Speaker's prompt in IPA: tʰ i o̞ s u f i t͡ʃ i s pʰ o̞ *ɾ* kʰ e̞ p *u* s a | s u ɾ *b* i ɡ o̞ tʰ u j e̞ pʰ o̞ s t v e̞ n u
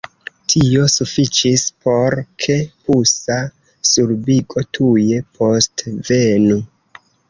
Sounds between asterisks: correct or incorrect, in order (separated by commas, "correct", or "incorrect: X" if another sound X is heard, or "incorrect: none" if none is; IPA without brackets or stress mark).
correct, correct, correct